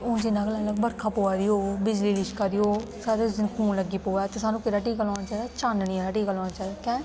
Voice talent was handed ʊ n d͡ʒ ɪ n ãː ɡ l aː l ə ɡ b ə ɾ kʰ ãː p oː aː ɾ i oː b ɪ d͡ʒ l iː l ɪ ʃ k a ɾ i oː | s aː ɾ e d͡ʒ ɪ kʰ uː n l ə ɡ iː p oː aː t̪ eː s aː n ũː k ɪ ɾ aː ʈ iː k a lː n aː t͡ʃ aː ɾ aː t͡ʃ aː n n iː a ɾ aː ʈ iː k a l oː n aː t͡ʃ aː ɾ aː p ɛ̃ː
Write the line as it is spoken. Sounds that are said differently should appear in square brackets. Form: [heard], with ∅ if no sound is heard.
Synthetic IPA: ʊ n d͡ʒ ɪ n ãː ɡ l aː l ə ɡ b ə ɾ kʰ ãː p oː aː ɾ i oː b ɪ d͡ʒ l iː l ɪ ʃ k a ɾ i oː | s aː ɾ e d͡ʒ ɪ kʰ uː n l ə ɡ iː p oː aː t̪ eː s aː n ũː k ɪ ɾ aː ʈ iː k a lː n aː t͡ʃ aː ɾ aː t͡ʃ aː n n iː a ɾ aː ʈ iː k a l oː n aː t͡ʃ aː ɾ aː [k] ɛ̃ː